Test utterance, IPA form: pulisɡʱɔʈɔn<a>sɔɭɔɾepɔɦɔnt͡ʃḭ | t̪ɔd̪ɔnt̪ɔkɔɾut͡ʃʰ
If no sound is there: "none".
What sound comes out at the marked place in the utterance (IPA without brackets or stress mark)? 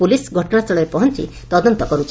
a